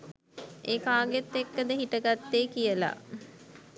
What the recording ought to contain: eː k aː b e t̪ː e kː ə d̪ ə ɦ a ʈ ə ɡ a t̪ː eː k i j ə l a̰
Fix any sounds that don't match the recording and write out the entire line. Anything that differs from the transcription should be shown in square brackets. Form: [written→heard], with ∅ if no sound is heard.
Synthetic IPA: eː k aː [b→ɡ] e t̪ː e kː ə d̪ ə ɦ [a→i] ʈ ə ɡ a t̪ː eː k i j ə l a̰